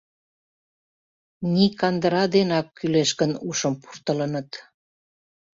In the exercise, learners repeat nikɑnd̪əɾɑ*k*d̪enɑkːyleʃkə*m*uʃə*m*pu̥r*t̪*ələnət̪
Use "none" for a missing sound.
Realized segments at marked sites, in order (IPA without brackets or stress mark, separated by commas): none, n, m, t̪